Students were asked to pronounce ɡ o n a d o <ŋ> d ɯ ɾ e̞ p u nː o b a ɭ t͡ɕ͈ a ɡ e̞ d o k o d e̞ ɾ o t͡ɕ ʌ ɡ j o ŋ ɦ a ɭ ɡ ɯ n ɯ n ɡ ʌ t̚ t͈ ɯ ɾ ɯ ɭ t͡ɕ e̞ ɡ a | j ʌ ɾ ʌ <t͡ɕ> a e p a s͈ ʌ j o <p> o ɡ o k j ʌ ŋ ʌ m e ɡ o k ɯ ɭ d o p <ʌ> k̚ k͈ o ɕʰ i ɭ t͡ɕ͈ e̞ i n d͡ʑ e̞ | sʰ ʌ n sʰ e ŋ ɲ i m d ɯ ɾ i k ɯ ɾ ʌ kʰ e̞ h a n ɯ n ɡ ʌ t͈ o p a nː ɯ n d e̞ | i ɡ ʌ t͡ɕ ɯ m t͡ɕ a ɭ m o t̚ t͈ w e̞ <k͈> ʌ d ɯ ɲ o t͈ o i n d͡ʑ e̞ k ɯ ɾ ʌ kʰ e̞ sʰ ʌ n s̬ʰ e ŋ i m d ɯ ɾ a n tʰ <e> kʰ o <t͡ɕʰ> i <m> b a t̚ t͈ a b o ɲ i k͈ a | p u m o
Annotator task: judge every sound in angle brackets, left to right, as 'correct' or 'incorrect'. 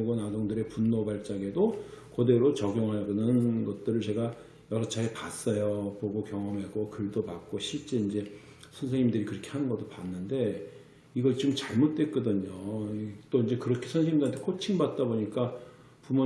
correct, incorrect: t͡ɕʰ, correct, incorrect: a, correct, correct, correct, incorrect: ŋ

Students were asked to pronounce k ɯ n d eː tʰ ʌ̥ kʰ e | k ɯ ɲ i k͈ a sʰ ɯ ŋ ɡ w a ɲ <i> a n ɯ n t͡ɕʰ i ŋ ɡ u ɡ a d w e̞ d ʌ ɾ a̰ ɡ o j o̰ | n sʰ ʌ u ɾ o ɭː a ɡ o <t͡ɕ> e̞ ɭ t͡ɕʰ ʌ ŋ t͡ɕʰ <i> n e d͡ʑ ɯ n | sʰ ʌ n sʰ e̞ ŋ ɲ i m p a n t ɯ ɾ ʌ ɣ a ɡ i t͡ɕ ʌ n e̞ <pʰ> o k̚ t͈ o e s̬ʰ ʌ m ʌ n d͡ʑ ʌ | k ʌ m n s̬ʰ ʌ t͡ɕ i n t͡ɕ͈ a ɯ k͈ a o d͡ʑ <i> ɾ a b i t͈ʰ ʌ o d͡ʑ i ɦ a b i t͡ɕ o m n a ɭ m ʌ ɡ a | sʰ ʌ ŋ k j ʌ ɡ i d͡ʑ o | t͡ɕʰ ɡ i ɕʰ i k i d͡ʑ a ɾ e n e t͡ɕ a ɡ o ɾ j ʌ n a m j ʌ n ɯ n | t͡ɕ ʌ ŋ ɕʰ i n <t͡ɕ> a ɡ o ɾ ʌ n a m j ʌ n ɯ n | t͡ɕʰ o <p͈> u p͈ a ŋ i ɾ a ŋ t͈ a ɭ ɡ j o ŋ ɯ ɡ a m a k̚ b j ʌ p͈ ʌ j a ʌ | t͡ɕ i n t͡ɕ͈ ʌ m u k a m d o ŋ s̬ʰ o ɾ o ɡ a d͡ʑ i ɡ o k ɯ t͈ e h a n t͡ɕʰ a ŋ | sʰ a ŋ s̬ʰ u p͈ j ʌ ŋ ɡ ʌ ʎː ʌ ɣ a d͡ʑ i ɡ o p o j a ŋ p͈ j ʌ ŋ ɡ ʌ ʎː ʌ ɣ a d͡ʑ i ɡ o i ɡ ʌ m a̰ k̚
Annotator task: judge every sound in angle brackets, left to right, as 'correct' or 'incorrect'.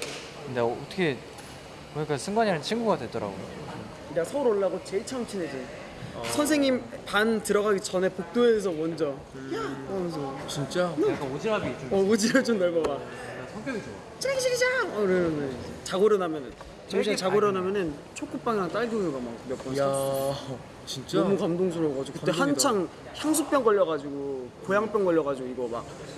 correct, correct, correct, incorrect: p, correct, correct, incorrect: k͈

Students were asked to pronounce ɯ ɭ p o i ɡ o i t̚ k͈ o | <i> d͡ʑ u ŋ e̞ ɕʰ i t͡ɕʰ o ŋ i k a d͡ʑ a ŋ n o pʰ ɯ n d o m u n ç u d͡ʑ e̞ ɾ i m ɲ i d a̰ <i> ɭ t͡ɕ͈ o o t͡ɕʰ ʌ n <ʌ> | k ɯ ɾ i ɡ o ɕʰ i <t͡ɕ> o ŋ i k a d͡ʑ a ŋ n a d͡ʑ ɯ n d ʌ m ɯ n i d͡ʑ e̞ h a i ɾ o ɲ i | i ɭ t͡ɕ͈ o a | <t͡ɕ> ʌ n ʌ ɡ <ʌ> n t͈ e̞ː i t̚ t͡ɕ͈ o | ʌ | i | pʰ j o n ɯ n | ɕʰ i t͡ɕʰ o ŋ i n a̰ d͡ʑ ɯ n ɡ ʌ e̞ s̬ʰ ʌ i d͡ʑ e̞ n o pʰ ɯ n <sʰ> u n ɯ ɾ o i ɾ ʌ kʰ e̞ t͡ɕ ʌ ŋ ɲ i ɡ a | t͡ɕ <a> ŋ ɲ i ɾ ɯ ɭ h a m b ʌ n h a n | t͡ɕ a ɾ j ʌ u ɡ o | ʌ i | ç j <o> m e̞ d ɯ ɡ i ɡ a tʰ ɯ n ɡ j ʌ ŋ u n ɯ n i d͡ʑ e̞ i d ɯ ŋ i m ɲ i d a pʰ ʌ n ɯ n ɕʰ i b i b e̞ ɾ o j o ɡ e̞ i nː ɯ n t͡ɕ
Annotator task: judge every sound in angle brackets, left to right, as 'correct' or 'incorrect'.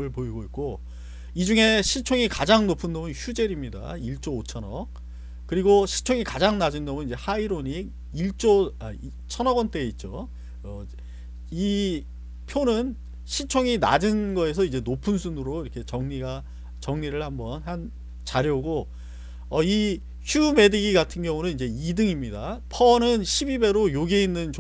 correct, correct, correct, incorrect: t͡ɕʰ, incorrect: t͡ɕʰ, correct, correct, incorrect: ʌ, incorrect: u

